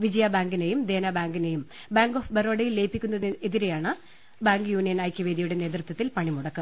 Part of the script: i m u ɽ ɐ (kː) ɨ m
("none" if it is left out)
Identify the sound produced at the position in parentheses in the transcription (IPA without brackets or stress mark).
kː